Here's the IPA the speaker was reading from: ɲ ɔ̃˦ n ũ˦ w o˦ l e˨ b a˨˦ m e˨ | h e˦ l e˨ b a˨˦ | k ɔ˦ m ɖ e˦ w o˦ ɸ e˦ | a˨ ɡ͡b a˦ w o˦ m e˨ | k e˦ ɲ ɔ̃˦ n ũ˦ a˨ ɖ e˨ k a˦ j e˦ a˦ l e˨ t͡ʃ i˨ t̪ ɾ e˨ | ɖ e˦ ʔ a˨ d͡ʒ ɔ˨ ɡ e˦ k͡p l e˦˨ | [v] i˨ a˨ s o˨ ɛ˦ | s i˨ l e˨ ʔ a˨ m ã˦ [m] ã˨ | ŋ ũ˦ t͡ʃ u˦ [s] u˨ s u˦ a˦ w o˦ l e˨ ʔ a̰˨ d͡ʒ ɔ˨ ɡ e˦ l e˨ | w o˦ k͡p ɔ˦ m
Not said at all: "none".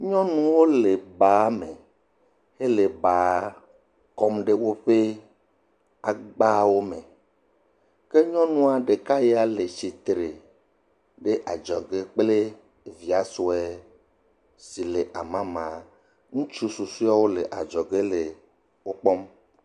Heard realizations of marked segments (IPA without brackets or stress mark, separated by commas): v, m, s